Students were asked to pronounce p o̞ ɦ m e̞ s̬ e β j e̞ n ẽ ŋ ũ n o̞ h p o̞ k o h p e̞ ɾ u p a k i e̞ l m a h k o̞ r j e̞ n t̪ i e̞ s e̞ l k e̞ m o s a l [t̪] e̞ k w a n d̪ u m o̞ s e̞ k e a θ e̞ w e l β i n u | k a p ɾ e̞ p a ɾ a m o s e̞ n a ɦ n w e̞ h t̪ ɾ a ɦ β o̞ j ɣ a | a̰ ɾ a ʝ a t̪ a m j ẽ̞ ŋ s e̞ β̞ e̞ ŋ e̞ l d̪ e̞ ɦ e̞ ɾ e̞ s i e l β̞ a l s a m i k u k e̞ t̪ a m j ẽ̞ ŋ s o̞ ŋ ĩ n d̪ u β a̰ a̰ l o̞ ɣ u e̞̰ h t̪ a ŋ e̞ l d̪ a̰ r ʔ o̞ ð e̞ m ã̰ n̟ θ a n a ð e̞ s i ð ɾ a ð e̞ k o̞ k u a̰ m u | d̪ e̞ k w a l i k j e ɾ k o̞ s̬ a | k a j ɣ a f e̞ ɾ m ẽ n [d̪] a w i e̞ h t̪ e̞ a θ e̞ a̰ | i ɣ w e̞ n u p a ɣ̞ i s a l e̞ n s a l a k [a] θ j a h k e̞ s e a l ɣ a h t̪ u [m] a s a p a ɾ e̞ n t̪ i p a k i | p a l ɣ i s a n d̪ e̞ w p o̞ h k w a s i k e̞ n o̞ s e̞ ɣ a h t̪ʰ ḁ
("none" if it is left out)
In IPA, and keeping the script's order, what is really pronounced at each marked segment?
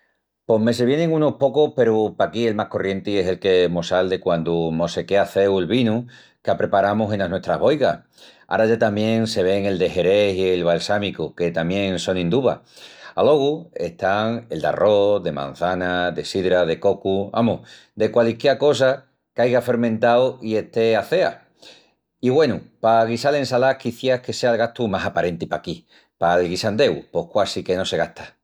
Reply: d̪, t̪, i, m

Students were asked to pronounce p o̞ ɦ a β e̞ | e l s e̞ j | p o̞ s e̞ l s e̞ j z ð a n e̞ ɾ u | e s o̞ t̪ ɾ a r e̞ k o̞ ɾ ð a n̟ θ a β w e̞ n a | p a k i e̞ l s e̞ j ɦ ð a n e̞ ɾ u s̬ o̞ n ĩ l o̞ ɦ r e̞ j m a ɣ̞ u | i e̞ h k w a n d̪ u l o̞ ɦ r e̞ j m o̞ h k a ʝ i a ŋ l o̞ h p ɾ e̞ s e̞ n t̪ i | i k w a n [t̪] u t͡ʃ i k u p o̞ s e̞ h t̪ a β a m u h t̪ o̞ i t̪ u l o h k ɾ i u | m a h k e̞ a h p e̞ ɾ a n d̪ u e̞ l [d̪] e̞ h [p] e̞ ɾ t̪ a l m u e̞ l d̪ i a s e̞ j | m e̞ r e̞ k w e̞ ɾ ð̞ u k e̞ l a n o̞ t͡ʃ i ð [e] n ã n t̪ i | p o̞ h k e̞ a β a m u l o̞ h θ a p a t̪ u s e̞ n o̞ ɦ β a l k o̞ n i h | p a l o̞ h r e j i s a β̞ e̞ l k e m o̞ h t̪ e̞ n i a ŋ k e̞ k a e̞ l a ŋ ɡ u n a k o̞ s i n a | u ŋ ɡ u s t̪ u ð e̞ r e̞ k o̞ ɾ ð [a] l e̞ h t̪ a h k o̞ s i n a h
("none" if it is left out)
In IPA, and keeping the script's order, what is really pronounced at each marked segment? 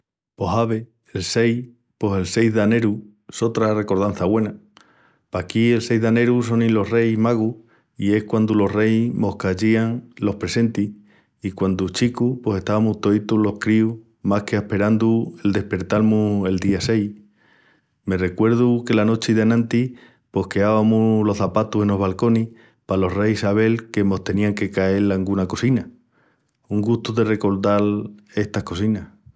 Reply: d̪, d̪, p, a, a

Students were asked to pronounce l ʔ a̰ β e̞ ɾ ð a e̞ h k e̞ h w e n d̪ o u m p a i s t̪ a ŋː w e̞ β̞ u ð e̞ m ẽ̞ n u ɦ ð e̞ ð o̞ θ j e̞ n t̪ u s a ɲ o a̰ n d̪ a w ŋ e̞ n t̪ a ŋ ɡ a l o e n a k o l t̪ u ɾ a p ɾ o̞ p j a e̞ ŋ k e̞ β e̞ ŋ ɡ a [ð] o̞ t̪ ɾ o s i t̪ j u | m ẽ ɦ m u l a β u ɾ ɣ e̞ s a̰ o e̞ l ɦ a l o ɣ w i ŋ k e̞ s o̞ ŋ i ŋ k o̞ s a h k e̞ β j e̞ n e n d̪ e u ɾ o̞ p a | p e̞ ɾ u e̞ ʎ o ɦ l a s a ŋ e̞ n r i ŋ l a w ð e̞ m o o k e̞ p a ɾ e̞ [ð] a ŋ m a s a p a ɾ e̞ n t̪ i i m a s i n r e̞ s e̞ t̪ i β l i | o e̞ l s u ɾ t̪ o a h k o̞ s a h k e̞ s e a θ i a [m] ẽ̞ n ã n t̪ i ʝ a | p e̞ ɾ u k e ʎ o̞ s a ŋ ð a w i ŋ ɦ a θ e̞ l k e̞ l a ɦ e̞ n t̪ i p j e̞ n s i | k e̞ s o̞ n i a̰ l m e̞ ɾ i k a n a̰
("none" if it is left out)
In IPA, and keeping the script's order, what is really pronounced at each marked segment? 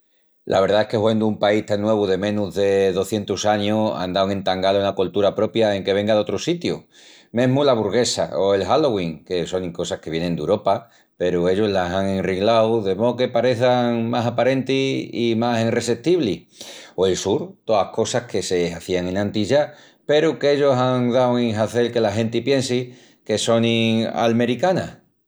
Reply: ð, θ, ŋ

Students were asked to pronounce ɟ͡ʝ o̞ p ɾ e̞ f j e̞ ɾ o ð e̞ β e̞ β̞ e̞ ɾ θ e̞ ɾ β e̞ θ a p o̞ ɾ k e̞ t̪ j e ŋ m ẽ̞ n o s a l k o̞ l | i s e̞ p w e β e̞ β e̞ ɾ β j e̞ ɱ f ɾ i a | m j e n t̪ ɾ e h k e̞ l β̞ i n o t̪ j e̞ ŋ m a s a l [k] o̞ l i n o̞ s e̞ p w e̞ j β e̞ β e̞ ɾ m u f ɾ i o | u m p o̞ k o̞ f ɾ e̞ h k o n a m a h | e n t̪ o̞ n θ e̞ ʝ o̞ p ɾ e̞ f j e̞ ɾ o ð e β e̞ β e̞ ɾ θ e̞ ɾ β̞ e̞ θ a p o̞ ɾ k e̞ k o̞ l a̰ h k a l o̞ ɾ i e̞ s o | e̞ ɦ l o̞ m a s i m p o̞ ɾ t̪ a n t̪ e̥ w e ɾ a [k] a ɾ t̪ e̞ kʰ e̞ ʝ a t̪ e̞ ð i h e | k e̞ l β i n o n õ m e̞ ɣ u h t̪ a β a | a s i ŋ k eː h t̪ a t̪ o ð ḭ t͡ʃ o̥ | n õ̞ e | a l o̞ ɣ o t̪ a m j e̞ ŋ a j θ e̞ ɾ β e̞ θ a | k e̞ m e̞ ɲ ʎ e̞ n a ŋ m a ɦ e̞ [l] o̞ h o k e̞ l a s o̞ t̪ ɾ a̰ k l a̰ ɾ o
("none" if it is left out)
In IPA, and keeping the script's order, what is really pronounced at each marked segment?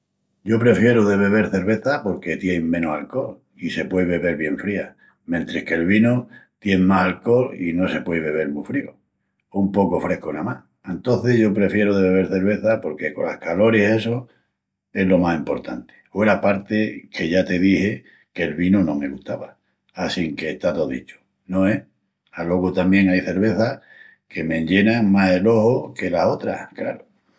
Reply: k, p, l

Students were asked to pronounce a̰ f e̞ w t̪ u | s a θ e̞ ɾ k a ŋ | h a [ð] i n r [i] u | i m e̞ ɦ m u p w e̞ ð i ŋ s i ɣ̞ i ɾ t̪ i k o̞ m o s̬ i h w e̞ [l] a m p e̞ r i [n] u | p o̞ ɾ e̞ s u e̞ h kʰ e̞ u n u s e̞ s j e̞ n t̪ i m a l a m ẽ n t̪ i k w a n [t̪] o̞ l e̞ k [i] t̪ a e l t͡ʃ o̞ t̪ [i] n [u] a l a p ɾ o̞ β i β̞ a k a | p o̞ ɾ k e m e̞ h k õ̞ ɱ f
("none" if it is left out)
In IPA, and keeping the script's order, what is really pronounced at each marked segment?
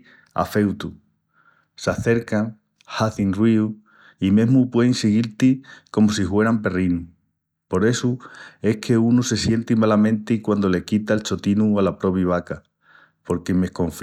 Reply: θ, i, ɾ, n, d̪, i, i, u

